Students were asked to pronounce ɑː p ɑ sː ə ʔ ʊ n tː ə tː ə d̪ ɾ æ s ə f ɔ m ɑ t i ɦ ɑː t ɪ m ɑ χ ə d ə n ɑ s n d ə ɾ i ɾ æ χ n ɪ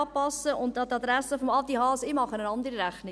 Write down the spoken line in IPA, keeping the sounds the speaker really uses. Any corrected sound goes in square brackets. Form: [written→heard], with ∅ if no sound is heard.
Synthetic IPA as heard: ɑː p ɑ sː ə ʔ ʊ n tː [ə→ɑ] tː [ə→ɑ] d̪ ɾ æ s ə f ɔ m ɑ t i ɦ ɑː [t→s] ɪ m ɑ χ ə [d→n] ə n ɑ [s→∅] n d ə ɾ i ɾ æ χ n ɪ